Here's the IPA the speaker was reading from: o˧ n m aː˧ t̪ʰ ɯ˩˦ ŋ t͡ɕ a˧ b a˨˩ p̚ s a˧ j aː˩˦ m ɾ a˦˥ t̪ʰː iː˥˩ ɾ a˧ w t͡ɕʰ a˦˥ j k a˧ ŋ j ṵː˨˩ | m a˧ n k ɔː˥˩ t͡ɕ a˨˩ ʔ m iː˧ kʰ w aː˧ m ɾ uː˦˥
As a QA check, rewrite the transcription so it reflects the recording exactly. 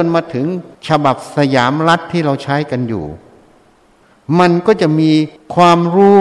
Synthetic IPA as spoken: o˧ n m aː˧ t̪ʰ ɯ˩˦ ŋ t͡ɕʰ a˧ b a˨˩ p̚ s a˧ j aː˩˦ m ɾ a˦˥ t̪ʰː iː˥˩ ɾ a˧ w t͡ɕʰ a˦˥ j k a˧ n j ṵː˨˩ | m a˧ n k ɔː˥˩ t͡ɕ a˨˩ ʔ m iː˧ kʰ w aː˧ m ɾ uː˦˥